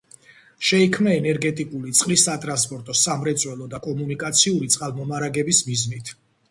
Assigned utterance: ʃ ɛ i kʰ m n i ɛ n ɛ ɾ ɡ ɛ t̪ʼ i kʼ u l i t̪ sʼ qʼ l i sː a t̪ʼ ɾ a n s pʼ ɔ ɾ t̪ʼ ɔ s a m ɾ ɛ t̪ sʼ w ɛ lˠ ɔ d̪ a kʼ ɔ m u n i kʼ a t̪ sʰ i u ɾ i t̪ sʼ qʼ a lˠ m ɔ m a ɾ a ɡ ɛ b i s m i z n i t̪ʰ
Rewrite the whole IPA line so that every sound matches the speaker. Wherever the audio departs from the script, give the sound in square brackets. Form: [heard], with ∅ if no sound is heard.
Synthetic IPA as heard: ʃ ɛ i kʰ m n [a] ɛ n ɛ ɾ ɡ ɛ t̪ʼ i kʼ u l i t̪ sʼ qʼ l i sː a t̪ʼ ɾ a n s pʼ ɔ ɾ t̪ʼ ɔ s a m ɾ ɛ t̪ sʼ w ɛ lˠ ɔ d̪ a kʼ ɔ m u n i kʼ a t̪ sʰ i u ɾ i t̪ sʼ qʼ a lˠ m ɔ m a ɾ a ɡ ɛ b i s m i z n i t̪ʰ

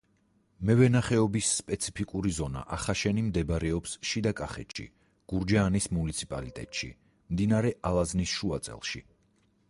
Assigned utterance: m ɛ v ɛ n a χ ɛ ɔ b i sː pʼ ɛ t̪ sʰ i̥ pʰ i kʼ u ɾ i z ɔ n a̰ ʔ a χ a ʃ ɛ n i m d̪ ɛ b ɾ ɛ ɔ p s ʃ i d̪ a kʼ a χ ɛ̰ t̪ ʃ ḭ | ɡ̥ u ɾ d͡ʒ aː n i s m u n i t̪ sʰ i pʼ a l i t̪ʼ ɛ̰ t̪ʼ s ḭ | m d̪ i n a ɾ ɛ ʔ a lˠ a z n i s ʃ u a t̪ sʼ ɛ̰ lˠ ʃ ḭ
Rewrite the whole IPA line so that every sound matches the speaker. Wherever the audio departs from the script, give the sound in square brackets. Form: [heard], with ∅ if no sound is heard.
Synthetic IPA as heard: m ɛ v ɛ n a χ ɛ ɔ b i sː pʼ ɛ t̪ sʰ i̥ pʰ i kʼ u ɾ i z ɔ n a̰ ʔ a χ a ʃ ɛ n i m d̪ ɛ b ɾ ɛ ɔ p s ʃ i d̪ a kʼ a χ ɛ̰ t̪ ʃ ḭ | ɡ̥ u ɾ d͡ʒ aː n i s m u n i t̪ sʰ i pʼ a l i t̪ʼ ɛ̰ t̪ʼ [ʃ] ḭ | m d̪ i n a ɾ ɛ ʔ a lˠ a z n i s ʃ u a t̪ sʼ ɛ̰ lˠ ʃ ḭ

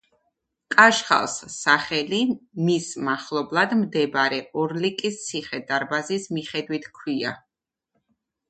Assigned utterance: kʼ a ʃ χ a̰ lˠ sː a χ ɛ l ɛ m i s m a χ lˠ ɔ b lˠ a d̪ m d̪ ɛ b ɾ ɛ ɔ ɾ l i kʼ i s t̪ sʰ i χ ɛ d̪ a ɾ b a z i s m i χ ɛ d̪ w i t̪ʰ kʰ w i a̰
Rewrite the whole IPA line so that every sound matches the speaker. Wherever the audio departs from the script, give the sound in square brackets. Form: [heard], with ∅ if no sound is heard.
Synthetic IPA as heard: kʼ a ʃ χ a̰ lˠ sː a χ ɛ l [i] m i s m a χ lˠ ɔ b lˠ a d̪ m d̪ ɛ b ɾ ɛ ɔ ɾ l i kʼ i s t̪ sʰ i χ ɛ d̪ a ɾ b a z i s m i χ ɛ d̪ w i t̪ʰ kʰ w i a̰

